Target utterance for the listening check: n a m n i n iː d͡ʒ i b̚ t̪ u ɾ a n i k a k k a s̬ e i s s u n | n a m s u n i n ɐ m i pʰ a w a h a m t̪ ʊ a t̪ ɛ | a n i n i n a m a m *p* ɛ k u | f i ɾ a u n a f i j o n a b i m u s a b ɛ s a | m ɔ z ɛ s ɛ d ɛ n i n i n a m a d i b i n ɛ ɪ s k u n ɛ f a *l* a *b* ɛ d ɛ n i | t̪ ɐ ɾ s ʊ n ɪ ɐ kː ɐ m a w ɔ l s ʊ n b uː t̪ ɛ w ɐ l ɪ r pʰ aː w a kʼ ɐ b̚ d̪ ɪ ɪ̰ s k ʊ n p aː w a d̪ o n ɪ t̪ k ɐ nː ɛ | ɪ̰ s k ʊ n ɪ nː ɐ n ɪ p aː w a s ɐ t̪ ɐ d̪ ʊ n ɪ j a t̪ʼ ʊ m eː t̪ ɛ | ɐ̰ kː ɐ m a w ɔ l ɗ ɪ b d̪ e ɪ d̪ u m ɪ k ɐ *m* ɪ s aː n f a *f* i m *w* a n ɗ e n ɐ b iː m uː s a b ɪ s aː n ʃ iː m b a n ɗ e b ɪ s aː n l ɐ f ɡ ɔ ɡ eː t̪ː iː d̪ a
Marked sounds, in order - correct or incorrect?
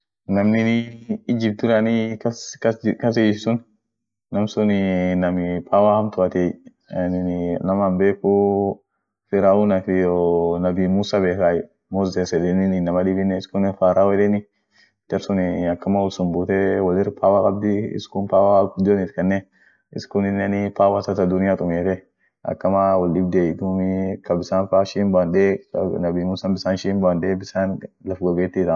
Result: incorrect: b, incorrect: ɾ, incorrect: w, incorrect: b, incorrect: ʃ, incorrect: b

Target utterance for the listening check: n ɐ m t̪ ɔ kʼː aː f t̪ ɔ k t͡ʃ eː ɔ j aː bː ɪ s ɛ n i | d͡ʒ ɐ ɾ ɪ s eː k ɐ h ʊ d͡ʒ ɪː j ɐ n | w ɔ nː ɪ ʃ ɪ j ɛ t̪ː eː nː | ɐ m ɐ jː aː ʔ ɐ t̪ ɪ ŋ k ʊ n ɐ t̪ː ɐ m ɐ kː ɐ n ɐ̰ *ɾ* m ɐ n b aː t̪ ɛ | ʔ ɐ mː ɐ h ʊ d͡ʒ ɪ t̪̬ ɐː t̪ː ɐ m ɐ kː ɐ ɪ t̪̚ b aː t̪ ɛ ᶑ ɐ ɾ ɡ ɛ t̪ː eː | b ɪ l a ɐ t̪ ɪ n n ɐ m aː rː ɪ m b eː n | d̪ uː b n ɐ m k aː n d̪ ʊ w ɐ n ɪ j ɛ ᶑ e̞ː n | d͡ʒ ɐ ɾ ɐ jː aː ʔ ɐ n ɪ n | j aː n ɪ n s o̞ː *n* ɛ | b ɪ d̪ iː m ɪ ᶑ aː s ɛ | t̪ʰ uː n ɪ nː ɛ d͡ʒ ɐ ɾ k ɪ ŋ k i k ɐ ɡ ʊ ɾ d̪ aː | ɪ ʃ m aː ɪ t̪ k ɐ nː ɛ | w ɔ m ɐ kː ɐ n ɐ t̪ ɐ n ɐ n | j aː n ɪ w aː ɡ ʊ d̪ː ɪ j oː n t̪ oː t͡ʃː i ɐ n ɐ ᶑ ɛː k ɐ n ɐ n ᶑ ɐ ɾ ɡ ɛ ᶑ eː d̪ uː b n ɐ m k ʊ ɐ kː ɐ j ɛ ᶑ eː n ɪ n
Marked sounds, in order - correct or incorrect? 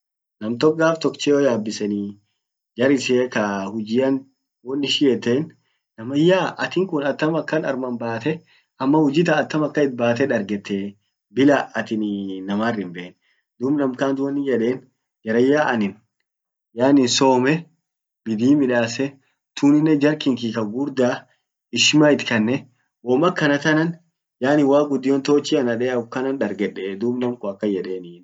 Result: correct, incorrect: m

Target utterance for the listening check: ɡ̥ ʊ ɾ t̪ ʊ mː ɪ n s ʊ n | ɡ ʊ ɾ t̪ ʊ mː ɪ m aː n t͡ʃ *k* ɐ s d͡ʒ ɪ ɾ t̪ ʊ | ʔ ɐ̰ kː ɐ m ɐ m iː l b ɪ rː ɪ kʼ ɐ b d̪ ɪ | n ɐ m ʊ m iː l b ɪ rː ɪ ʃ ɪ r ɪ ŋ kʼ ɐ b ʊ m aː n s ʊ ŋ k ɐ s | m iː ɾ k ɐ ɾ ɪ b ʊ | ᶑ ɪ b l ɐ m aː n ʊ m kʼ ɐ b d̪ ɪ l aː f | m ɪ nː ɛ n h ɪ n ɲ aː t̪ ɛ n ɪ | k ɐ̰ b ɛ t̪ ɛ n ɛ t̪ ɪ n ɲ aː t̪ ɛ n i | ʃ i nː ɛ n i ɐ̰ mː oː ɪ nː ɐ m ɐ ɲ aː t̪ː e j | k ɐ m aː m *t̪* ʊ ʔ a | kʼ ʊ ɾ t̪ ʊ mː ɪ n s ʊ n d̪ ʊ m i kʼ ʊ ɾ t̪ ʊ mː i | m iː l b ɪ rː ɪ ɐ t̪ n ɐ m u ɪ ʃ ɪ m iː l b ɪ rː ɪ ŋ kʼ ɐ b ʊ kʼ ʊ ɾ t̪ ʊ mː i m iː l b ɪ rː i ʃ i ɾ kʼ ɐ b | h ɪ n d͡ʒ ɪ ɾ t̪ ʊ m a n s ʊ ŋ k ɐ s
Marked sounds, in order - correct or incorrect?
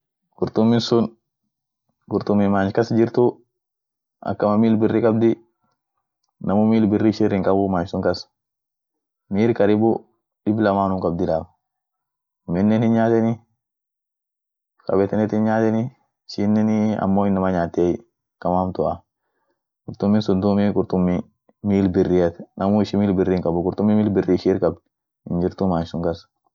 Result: correct, correct

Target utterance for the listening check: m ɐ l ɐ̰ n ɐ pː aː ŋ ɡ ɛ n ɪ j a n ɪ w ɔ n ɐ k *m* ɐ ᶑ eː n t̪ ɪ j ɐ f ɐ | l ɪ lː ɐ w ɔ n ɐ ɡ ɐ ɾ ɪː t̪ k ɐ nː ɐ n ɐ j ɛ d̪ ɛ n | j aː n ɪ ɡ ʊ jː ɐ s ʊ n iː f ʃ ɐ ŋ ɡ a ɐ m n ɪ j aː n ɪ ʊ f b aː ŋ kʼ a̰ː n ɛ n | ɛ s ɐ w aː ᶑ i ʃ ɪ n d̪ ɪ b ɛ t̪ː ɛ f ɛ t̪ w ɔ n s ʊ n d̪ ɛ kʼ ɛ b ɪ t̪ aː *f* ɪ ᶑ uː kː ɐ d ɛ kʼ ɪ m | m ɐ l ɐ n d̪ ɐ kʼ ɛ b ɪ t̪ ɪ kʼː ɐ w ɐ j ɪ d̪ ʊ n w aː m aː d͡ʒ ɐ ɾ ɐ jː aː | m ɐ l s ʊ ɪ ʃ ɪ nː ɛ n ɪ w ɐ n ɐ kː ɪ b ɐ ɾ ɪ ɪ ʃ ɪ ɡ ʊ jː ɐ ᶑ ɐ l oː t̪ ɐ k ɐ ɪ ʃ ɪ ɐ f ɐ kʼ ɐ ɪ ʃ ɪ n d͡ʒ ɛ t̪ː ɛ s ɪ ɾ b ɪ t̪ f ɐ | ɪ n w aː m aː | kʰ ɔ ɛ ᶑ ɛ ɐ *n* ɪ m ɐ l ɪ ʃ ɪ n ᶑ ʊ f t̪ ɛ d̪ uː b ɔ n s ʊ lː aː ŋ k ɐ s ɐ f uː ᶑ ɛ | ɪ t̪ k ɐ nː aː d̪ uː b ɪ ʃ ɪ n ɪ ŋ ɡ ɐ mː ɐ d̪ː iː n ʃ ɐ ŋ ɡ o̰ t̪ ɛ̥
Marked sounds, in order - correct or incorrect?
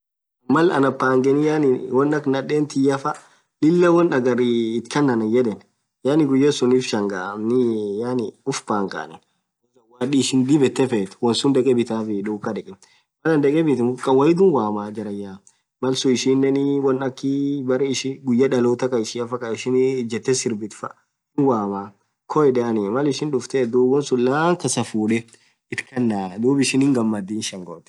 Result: incorrect: n, correct, correct

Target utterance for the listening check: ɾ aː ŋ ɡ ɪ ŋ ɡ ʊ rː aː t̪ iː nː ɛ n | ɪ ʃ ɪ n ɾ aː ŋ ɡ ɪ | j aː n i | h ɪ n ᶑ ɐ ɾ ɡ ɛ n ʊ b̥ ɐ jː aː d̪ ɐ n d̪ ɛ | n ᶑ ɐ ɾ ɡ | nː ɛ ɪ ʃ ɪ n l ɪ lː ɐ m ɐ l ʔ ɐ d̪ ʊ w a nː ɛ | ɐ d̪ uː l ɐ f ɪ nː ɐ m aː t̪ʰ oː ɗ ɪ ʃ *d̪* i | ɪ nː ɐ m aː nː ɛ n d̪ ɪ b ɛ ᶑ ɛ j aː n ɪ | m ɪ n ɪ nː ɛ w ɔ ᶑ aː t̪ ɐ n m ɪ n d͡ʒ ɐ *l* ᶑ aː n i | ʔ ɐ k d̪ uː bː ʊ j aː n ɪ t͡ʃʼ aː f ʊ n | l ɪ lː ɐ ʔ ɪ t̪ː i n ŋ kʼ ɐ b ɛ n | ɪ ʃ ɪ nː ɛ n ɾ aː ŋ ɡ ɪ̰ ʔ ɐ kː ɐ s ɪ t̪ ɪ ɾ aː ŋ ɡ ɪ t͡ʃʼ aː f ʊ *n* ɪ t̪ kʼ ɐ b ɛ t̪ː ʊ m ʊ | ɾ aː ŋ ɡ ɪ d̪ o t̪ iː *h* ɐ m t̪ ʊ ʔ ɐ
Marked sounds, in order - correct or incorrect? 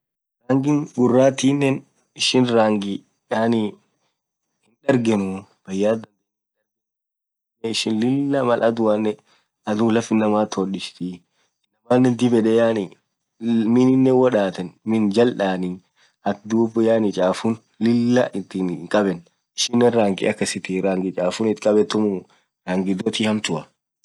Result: incorrect: t̪, correct, correct, correct

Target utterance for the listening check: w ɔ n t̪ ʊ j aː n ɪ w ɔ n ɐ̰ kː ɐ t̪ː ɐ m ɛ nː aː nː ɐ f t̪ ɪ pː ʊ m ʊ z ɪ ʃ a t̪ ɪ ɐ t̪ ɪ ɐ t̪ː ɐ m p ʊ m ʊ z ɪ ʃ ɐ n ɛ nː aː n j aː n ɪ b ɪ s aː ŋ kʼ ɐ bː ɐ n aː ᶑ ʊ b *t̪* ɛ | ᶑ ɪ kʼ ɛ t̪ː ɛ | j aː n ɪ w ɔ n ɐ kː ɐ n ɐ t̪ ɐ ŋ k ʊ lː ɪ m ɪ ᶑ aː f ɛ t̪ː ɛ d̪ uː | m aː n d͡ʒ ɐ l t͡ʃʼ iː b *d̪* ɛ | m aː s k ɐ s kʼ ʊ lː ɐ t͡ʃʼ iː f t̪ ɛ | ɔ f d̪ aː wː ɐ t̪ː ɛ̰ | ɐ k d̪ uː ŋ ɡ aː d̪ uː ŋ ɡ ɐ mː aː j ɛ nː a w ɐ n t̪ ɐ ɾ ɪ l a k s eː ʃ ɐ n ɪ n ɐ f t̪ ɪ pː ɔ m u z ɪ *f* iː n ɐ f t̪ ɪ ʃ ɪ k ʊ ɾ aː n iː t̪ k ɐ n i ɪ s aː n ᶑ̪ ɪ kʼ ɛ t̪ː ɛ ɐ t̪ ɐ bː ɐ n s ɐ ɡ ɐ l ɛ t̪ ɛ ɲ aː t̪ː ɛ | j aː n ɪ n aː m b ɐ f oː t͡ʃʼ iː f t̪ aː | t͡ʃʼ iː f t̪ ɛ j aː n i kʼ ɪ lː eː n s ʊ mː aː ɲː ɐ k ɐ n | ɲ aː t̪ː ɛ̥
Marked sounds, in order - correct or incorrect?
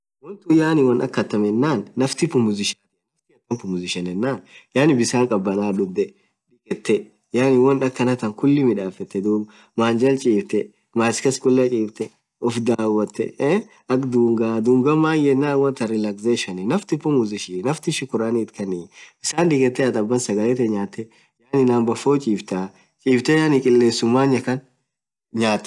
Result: incorrect: d̪, incorrect: t̪, incorrect: ʃ

